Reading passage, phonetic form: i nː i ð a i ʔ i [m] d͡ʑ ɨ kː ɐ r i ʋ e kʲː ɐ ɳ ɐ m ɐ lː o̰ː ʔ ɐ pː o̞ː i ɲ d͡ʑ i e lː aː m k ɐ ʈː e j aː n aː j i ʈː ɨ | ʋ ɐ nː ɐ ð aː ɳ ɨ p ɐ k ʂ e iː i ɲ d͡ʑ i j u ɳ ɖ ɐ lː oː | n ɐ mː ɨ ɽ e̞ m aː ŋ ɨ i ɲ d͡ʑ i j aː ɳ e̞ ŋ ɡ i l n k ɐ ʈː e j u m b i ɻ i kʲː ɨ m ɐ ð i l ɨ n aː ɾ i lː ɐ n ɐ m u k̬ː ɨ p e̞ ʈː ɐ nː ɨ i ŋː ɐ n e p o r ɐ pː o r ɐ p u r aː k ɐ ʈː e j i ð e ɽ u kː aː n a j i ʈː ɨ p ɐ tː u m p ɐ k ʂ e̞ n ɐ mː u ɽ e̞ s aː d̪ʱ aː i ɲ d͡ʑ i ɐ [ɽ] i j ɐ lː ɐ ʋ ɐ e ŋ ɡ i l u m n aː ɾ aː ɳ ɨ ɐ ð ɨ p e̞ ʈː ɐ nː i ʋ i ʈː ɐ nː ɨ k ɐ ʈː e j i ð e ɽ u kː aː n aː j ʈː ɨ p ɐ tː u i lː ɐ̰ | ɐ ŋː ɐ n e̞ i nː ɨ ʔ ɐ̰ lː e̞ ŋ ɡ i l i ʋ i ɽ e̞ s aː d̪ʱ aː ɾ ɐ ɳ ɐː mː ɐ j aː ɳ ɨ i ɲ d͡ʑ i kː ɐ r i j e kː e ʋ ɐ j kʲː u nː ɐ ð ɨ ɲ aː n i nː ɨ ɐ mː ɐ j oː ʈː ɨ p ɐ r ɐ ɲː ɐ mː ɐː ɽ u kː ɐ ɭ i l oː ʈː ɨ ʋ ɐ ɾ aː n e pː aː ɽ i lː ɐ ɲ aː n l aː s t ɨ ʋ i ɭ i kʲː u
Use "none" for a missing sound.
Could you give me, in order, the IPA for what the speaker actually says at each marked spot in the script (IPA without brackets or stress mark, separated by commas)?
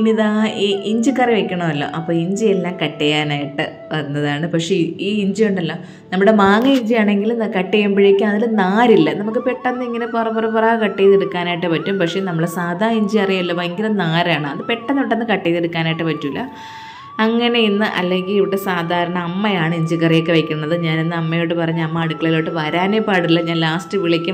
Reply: ɲ, r